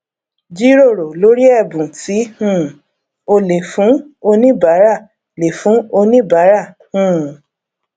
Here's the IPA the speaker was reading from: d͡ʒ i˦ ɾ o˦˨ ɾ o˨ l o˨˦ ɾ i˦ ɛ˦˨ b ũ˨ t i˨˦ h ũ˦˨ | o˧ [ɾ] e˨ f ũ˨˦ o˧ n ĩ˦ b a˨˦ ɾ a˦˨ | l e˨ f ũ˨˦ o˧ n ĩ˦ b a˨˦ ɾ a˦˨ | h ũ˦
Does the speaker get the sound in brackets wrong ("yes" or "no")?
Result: yes